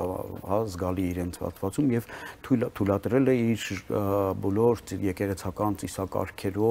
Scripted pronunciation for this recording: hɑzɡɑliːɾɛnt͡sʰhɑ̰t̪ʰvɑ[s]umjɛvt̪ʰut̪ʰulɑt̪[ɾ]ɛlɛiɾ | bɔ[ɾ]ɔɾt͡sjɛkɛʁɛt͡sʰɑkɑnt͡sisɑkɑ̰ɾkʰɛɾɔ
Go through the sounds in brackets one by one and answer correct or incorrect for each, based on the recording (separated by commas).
incorrect, correct, incorrect